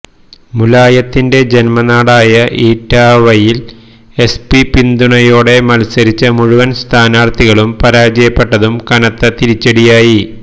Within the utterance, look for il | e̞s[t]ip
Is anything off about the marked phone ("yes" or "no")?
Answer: yes